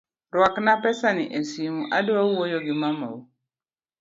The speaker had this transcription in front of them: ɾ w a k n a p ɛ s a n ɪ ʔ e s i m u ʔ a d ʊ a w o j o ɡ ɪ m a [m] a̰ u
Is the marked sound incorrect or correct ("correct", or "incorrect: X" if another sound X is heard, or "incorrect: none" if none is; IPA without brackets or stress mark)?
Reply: correct